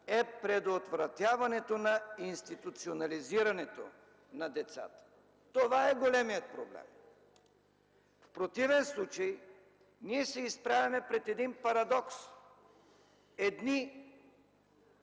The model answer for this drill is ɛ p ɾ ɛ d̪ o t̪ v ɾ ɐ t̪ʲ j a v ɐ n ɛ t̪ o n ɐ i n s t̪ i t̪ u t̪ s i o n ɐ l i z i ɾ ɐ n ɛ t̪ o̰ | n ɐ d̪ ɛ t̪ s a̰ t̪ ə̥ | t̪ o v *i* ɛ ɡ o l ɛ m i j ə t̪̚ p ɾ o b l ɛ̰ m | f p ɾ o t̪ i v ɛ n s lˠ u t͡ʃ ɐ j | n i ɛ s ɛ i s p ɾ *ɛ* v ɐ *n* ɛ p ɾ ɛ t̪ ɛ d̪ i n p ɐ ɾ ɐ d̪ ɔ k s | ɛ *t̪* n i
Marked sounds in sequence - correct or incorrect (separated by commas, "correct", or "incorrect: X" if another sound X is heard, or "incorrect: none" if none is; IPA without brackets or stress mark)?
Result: incorrect: a, incorrect: a, incorrect: m, incorrect: d̪